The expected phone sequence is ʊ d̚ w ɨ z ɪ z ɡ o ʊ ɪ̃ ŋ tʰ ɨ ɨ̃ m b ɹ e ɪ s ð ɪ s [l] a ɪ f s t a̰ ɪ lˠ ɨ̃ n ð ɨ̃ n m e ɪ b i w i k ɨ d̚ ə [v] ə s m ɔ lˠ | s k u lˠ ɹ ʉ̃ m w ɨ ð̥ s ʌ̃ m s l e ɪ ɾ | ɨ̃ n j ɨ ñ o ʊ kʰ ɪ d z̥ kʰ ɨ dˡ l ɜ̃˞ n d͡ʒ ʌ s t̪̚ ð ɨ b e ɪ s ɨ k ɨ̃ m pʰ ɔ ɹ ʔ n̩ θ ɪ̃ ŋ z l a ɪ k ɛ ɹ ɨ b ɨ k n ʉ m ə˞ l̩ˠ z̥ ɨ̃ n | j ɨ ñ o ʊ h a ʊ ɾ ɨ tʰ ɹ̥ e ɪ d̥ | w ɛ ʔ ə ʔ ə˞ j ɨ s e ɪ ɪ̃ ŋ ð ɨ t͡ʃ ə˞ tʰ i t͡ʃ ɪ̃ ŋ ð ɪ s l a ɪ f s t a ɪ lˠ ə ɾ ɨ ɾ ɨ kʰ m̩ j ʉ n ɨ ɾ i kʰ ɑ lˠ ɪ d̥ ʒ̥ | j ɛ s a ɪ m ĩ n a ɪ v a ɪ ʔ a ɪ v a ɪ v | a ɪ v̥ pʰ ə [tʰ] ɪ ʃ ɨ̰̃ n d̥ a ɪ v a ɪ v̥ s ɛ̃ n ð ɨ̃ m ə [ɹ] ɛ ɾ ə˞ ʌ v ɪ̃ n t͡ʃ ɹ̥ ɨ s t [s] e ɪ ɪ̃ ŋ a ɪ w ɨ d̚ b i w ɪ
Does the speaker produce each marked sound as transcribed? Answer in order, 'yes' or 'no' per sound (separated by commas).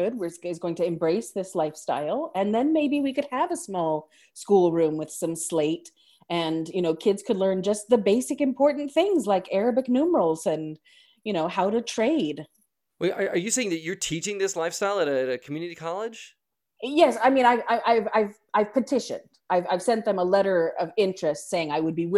yes, yes, yes, no, yes